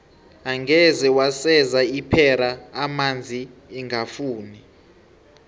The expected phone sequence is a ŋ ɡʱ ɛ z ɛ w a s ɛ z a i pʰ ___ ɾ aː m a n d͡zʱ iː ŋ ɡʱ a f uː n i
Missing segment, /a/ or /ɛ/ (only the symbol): ɛ